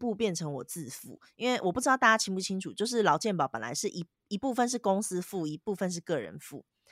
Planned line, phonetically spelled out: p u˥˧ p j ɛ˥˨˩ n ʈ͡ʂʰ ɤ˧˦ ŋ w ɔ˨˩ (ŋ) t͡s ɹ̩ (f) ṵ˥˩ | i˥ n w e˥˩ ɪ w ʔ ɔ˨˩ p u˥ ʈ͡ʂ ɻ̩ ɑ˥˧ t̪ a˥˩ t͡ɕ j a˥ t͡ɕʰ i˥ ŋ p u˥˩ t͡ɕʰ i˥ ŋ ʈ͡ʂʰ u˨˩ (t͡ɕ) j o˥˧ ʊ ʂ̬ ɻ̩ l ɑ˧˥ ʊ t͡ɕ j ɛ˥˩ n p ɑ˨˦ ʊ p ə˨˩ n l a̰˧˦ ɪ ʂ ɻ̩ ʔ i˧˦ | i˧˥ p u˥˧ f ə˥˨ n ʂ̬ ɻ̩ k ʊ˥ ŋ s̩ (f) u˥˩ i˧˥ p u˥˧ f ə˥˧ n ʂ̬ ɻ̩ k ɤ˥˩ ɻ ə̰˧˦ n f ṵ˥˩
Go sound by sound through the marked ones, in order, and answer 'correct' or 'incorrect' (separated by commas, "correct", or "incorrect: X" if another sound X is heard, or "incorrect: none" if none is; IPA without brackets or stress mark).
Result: incorrect: none, correct, correct, correct